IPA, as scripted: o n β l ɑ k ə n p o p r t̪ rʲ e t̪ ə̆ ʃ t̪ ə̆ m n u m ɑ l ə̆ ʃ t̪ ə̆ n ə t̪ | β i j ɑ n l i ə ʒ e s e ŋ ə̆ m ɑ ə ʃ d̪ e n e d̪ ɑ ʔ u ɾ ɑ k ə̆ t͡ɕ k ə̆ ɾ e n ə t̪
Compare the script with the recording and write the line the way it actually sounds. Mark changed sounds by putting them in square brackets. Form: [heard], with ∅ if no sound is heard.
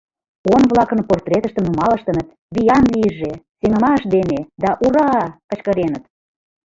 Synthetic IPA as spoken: o n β l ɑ k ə n p o [∅] r t̪ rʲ e t̪ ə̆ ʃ t̪ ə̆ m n u m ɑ l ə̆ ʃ t̪ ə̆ n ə t̪ | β i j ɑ n l i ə ʒ e s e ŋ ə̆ m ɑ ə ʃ d̪ e n e d̪ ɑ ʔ u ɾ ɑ k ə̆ t͡ɕ k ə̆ ɾ e n ə t̪